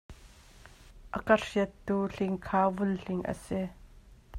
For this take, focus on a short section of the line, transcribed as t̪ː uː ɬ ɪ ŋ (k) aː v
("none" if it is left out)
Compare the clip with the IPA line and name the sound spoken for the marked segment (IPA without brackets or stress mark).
kʰ